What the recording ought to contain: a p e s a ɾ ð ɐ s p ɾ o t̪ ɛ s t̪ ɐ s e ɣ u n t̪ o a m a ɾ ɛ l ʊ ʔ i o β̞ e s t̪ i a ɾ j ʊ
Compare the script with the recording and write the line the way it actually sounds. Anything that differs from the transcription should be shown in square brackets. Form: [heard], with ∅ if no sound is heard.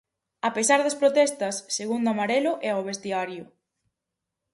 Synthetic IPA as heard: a p e s a ɾ ð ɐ s p ɾ o t̪ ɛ s t̪ ɐ [sː] e ɣ u n [d̪] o a m a ɾ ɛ l ʊ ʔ [ɛ] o β̞ e s t̪ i a ɾ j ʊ